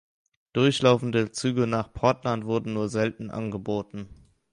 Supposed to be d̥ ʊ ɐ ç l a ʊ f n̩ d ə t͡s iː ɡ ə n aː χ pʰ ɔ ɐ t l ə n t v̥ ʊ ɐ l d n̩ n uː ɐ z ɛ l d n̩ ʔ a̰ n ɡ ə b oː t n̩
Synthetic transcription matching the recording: d̥ ʊ ɐ ç l a ʊ f n̩ d ə t͡s yː ɡ ə n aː χ pʰ ɔ ɐ t l a n t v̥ ʊ ɐ d n̩ n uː ɐ z ɛ l t n̩ ʔ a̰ n ɡ ə b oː t n̩